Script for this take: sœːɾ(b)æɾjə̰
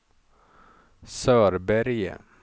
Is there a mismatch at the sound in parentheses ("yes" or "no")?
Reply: no